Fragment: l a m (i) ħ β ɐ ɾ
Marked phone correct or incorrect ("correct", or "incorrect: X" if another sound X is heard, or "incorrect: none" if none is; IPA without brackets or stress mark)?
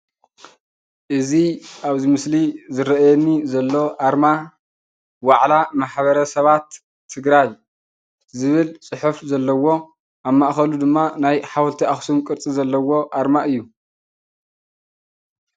incorrect: a